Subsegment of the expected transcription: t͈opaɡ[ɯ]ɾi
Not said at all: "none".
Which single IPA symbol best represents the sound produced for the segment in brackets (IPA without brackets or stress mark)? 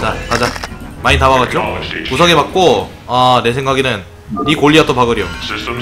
ɯ